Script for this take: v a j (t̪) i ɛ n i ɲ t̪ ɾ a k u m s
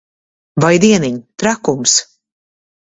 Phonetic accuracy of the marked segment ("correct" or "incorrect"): incorrect